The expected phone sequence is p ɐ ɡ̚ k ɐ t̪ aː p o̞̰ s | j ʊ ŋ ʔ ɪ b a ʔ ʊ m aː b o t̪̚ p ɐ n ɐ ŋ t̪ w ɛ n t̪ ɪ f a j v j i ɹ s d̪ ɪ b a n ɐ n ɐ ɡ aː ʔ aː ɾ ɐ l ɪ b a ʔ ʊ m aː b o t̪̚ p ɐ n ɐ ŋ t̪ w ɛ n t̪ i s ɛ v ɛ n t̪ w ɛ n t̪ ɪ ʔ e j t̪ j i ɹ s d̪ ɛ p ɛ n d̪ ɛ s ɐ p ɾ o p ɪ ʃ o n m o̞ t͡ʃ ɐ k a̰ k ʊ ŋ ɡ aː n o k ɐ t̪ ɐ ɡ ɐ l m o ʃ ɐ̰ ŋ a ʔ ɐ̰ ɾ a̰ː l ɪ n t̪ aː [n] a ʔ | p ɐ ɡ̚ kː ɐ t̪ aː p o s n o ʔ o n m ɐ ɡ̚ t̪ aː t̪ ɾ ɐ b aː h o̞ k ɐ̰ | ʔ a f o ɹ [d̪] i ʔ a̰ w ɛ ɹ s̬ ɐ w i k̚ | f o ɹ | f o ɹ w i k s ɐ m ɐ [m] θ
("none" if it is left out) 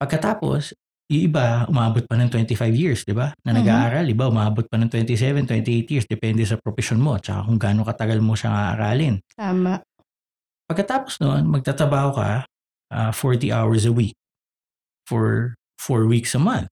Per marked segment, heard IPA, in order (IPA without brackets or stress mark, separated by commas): m, t̪, n